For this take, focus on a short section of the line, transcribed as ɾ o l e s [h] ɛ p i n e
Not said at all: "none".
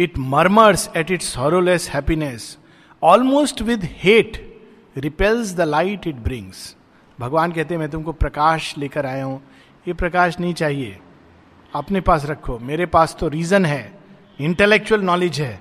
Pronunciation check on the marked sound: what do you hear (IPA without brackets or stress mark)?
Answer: h